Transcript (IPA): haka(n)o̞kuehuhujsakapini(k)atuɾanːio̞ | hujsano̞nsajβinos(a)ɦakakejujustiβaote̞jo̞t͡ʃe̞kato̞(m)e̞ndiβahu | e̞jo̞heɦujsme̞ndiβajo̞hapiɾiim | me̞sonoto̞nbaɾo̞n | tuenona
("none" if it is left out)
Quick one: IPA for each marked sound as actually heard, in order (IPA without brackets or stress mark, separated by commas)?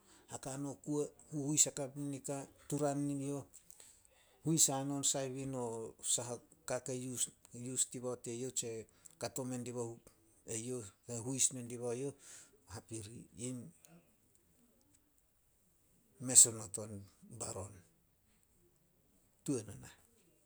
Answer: n, k, a, m